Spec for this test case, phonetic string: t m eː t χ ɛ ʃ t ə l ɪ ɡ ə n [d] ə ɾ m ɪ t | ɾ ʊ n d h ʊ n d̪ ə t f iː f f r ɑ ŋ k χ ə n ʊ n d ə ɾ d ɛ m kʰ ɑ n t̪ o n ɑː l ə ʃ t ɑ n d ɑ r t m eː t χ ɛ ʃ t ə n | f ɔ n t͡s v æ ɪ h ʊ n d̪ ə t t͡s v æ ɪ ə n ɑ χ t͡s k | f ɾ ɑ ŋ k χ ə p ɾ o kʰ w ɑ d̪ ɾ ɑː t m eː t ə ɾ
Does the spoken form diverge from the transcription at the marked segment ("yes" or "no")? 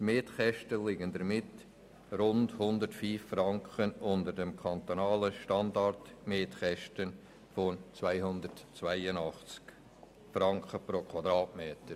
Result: no